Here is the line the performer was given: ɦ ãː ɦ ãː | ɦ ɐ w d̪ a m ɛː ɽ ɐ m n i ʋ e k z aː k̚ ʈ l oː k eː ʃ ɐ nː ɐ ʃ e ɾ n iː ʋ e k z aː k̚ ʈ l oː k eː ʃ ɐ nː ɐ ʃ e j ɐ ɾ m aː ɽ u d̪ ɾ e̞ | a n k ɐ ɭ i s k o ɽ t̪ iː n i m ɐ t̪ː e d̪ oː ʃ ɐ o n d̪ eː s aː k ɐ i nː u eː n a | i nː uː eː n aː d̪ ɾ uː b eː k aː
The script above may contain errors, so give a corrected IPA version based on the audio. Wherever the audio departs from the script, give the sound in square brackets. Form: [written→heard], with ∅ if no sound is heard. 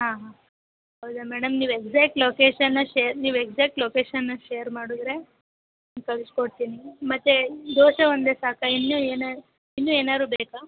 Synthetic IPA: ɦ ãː ɦ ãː | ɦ ɐ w d̪ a m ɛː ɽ ɐ m n [i→iː] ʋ e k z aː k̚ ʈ l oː k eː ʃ ɐ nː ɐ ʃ e ɾ n iː ʋ e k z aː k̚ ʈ l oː k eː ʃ ɐ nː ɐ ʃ e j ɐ ɾ m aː ɽ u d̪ ɾ e̞ | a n k ɐ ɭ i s k o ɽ t̪ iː n i m ɐ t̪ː e d̪ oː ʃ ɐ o n d̪ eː s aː k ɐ i nː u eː n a | i nː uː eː n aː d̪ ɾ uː b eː k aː